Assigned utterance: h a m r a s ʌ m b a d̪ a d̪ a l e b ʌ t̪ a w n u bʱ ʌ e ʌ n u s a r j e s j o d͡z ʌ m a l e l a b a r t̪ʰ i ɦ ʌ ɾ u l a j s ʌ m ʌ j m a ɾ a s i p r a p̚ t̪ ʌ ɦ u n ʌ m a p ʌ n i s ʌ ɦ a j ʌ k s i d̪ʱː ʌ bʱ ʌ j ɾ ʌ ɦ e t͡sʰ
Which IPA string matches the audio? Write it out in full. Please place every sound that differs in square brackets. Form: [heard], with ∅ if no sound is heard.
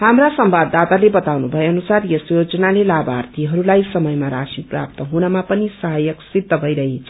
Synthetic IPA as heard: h a m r a s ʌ m b a d̪ a [t̪] a l e b ʌ t̪ a w n u bʱ ʌ e ʌ n u s a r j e s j o d͡z ʌ [n] a l e l a b a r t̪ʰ i ɦ ʌ ɾ u l a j s ʌ m ʌ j m a ɾ a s i p r a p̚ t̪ ʌ ɦ u n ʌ m a p ʌ n i s ʌ ɦ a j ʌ k s i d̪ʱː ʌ bʱ ʌ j ɾ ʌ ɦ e t͡sʰ